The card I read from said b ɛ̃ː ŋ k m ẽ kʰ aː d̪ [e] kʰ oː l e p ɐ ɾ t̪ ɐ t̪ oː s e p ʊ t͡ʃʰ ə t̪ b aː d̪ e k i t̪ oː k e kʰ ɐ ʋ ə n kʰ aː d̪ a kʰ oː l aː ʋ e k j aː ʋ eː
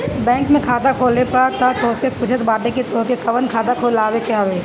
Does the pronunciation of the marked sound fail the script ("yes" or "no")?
yes